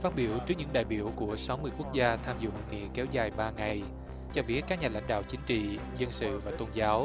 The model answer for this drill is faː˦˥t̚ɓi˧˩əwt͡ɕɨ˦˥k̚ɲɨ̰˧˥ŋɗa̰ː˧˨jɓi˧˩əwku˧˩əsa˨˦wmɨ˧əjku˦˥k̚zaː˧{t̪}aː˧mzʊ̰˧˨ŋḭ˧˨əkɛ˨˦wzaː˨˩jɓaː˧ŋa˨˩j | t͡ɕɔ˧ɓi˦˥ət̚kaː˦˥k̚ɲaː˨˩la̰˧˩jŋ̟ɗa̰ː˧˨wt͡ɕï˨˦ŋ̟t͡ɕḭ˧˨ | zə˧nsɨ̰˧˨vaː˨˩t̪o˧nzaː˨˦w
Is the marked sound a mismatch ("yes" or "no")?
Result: yes